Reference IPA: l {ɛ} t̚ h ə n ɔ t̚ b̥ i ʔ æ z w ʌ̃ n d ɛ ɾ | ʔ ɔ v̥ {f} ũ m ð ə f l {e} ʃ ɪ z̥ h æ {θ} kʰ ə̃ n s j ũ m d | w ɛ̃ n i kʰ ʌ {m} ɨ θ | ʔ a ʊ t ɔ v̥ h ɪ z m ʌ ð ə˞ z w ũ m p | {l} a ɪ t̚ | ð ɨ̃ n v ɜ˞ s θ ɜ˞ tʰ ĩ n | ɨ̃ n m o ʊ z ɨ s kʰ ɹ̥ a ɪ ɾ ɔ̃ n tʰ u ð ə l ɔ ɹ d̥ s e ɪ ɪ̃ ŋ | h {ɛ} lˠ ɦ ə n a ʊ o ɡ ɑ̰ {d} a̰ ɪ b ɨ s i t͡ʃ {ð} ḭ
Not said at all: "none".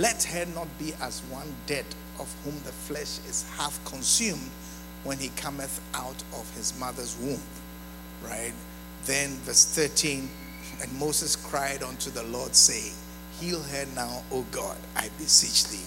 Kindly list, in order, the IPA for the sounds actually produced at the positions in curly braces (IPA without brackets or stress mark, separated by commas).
ɛ, h, ɛ, f, m, ɹ, i, d, ð